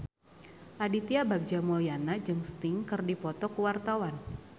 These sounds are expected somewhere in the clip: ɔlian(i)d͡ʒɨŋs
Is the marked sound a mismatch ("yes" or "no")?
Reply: yes